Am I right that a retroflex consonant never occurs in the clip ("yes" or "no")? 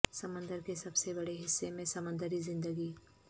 no